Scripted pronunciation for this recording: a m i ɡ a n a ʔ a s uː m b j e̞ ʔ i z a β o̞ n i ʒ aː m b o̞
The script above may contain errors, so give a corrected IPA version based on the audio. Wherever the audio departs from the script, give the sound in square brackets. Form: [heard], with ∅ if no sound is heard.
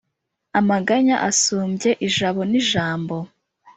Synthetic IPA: a m [a] ɡ a [ɲ] a ʔ a s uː m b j e̞ ʔ i [ʒ] a β o̞ n i ʒ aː m b o̞